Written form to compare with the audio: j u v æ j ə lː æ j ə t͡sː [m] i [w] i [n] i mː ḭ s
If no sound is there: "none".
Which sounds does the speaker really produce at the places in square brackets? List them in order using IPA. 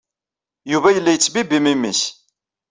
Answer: b, b, m

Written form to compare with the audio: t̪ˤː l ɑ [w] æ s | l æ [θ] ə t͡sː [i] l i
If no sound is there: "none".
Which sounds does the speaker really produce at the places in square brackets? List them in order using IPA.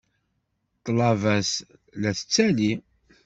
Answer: v, θ, æ

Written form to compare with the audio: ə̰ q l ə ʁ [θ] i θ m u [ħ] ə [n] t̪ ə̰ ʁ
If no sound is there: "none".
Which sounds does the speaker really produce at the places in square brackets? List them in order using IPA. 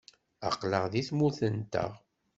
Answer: ð, θ, n

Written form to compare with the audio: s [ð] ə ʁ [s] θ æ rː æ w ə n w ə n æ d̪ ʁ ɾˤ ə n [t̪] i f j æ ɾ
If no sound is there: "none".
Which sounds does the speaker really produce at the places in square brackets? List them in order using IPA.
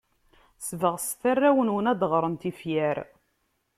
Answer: v, s, t̪

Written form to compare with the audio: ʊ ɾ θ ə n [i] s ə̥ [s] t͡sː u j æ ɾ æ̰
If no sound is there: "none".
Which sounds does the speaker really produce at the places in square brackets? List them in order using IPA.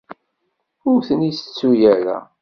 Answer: i, none

